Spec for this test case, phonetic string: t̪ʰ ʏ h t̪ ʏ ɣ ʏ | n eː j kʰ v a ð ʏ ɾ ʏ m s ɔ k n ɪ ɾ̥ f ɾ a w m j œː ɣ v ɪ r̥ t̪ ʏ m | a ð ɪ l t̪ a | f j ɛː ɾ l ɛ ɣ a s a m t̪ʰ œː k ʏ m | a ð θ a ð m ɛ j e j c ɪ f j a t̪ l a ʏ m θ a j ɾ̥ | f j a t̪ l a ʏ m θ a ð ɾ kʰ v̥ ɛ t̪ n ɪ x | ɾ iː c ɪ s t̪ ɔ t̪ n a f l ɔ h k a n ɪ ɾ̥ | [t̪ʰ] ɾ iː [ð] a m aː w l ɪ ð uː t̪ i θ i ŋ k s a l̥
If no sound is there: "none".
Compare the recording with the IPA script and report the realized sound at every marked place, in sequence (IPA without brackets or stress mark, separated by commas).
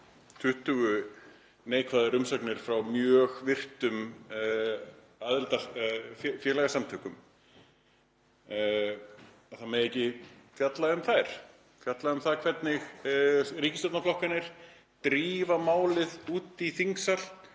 t̪, v